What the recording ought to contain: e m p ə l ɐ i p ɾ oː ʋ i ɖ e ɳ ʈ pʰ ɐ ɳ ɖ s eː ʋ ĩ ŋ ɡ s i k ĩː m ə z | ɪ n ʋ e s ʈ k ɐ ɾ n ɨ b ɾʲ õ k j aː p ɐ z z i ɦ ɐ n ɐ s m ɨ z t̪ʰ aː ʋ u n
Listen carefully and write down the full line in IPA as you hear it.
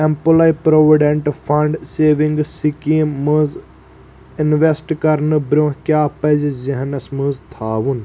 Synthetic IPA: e m p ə l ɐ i p ɾ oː ʋ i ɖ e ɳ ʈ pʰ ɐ ɳ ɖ s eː ʋ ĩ ŋ ɡ s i k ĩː m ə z | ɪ n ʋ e s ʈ k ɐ ɾ n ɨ b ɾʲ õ k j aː p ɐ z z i ɦ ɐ n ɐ s m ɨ z t̪ʰ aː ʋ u n

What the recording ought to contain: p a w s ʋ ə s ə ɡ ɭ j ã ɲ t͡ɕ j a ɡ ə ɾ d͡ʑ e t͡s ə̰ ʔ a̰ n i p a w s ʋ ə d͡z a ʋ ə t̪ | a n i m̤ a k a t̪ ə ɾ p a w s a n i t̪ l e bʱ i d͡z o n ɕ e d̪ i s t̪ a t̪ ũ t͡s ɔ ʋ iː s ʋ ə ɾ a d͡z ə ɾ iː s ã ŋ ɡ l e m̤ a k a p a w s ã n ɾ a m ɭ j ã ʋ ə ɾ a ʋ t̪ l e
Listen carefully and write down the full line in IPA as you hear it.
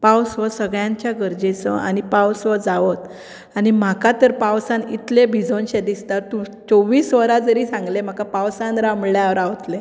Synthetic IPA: p a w s ʋ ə s ə ɡ ɭ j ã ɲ t͡ɕ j a ɡ ə ɾ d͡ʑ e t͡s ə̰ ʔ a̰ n i p a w s ʋ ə d͡z a ʋ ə t̪ | a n i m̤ a k a t̪ ə ɾ p a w s a n i t̪ l e bʱ i d͡z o n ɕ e d̪ i s t̪ a t̪ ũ t͡s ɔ ʋ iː s ʋ ə ɾ a d͡z ə ɾ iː s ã ŋ ɡ l e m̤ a k a p a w s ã n ɾ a m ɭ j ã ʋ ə ɾ a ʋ t̪ l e

